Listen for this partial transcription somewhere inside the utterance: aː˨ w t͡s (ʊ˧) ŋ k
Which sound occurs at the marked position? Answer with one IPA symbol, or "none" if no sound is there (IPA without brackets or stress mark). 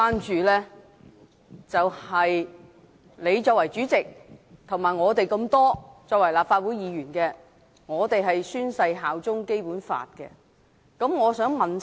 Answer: ʊ˥